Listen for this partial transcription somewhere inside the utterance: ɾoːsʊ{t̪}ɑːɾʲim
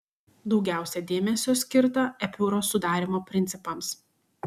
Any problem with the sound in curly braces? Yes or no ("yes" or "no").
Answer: yes